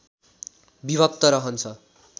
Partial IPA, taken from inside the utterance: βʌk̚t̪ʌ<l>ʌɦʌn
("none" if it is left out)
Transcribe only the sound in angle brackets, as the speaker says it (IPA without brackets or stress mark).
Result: ɾ